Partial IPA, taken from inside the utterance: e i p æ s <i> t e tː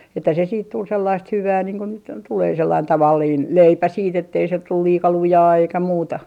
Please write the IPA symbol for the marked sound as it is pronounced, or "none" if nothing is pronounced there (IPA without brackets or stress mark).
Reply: iː